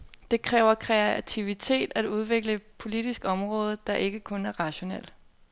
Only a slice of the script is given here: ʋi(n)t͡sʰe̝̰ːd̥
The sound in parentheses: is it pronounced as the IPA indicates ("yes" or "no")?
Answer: no